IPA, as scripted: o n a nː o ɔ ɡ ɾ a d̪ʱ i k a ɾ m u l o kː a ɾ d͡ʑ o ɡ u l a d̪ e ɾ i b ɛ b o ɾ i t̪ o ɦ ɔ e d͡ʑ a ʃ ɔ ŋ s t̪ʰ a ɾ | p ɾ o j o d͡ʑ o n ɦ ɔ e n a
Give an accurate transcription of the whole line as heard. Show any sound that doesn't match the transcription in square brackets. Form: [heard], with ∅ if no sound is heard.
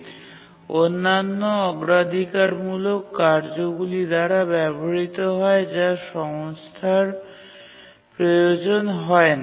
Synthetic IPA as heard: o [nː] a nː o ɔ ɡ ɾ a d̪ʱ i k a ɾ m u l o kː a ɾ d͡ʑ o ɡ u l [i] d̪ [a] ɾ [a] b ɛ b o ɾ i t̪ o ɦ ɔ e d͡ʑ a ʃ ɔ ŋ s t̪ʰ a ɾ | p ɾ o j o d͡ʑ o n ɦ ɔ e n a